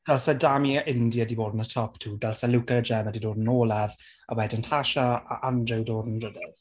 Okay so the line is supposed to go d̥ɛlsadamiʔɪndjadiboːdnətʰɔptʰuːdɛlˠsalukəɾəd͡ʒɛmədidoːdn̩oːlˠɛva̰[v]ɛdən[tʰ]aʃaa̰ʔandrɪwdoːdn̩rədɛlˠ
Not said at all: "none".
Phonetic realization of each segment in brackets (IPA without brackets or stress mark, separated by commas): w, tʰ